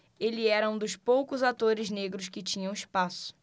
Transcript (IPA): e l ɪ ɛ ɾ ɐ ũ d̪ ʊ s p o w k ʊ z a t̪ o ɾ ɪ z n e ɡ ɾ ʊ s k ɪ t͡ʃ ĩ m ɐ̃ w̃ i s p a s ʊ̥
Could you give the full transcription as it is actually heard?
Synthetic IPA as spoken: e l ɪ ɛ ɾ ɐ ũ d̪ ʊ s p o w k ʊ z a t̪ o ɾ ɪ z n e ɡ ɾ ʊ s k ɪ t͡ʃ ĩ ɲ ɐ̃ w̃ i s p a s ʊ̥